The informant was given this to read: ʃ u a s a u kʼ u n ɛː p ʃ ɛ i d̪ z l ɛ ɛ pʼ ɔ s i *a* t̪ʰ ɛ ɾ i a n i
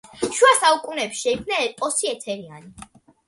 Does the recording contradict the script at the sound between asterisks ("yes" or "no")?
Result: yes